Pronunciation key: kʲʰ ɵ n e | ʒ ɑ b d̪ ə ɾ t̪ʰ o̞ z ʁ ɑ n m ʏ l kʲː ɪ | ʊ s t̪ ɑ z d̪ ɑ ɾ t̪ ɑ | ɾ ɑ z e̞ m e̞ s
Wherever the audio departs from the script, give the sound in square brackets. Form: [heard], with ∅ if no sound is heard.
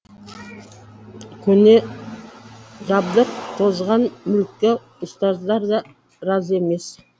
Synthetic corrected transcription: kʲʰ ɵ n e | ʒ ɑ b d̪ ə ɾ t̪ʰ o̞ z ʁ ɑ n m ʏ l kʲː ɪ | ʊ s t̪ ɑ z d̪ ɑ ɾ [d̪] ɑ | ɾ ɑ z e̞ m e̞ s